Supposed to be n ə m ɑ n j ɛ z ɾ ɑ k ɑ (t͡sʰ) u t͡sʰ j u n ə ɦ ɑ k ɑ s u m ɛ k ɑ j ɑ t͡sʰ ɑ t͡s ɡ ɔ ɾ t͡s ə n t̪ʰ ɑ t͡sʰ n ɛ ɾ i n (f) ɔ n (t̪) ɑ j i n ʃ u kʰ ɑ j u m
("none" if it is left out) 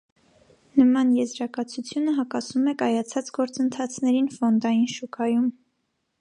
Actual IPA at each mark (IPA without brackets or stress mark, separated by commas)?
t͡sʰ, f, d̪